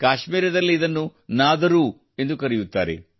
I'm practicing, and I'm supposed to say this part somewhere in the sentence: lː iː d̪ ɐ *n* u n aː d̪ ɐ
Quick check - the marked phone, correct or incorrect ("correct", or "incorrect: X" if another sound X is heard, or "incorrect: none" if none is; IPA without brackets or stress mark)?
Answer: incorrect: nː